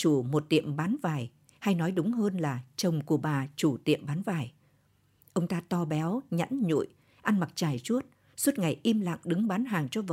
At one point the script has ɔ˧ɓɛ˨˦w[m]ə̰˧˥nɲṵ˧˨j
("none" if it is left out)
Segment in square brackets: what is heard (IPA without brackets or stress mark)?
ɲ